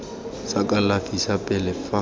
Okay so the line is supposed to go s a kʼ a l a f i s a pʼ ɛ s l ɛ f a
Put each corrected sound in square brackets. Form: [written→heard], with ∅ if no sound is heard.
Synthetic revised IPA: s a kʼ a l a f i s a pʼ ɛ [s→∅] l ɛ f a